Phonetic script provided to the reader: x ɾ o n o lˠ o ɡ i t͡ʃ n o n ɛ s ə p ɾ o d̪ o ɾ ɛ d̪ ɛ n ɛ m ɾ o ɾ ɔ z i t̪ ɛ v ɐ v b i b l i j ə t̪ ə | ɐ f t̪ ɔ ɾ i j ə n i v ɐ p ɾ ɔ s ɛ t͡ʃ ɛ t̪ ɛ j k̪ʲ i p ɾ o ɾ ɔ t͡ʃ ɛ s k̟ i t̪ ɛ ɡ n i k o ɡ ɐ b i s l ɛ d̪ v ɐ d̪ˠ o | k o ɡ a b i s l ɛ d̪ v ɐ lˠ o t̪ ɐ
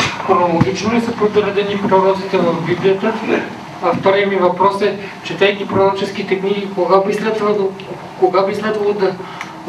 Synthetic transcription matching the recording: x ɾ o n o lˠ o ɡ i t͡ʃ n o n ɛ s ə p ɾ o d̪ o ɾ ɛ d̪ ɛ n i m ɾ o ɾ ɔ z i t̪ ɛ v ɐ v b i b l i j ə t̪ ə | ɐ f t̪ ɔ ɾ i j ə m i v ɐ p ɾ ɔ s ɛ t͡ʃ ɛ t̪ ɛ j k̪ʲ i p ɾ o ɾ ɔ t͡ʃ ɛ s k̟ i t̪ ɛ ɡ n i k o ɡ a b i s l ɛ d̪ v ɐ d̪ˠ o | k o ɡ a b i s l ɛ d̪ v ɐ lˠ o d̪ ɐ